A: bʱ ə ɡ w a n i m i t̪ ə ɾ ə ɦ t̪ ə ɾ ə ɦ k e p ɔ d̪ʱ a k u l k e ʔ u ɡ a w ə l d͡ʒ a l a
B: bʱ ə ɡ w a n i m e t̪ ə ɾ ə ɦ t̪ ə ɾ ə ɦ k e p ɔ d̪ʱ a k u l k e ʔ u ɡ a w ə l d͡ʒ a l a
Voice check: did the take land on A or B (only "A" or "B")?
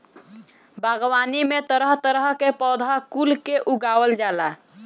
B